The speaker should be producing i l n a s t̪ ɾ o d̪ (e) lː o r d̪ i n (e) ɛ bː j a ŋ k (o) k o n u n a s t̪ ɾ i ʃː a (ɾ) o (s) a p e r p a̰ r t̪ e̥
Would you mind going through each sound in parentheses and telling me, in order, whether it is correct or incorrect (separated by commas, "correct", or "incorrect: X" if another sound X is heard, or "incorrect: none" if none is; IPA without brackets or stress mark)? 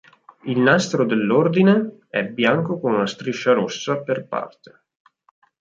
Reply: correct, correct, correct, correct, incorrect: sː